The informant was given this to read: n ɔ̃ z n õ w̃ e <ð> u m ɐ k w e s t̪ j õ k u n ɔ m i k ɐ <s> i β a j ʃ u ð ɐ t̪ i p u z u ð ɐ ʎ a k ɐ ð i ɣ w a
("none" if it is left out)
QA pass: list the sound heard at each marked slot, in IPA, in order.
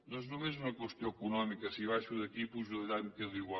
z, s

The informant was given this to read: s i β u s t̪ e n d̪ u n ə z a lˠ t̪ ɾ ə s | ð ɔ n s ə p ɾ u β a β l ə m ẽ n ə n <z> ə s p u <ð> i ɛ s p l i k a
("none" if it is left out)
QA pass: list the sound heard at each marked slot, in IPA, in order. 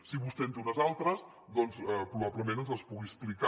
z, ɣ

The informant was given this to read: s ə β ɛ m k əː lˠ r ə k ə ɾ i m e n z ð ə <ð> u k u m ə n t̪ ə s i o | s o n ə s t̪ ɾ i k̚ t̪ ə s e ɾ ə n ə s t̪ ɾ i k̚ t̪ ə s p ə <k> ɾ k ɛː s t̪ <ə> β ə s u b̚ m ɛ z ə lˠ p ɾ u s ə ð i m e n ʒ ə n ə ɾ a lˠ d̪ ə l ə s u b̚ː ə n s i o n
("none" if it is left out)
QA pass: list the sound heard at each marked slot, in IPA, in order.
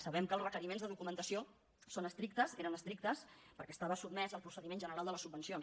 ð, none, a

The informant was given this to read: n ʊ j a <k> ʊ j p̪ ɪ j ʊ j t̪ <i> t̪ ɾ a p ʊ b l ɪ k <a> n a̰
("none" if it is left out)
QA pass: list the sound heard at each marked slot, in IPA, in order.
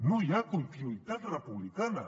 k, a, a

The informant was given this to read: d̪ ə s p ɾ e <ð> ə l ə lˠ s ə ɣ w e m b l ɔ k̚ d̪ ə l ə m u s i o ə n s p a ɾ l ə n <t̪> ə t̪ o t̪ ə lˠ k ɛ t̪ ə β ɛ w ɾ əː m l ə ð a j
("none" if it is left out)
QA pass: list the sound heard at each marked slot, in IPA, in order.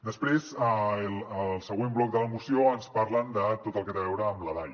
z, d̪

